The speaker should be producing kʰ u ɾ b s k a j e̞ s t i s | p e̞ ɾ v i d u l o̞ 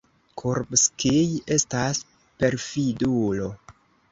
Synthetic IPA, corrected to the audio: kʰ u ɾ b s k i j e̞ s t a s | p e̞ ɾ f i d u l o̞